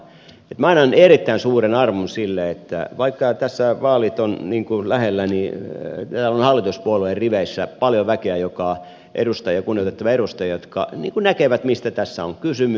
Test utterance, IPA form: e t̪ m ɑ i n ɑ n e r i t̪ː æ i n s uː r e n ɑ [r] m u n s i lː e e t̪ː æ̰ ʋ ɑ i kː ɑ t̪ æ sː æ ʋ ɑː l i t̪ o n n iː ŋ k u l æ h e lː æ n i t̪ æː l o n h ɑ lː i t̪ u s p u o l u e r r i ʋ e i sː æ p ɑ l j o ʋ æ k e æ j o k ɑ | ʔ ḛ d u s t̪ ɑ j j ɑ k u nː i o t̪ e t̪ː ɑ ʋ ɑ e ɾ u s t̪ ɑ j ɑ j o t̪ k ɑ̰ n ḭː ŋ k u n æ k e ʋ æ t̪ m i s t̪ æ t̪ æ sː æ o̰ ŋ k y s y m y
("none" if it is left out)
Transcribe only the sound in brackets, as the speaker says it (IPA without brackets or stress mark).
r